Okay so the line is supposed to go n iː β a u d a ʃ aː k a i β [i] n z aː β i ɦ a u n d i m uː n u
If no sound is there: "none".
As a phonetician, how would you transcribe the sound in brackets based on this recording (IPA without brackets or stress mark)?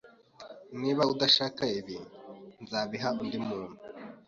i